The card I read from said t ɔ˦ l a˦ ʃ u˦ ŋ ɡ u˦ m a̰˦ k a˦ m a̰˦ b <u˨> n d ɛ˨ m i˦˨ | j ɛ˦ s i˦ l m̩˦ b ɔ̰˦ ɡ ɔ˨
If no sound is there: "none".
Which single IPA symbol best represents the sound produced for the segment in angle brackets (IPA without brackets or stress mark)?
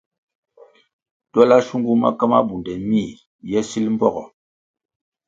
u˨